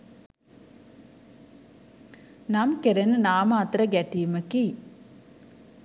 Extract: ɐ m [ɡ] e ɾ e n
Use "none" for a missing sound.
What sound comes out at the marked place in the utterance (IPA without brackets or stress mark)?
k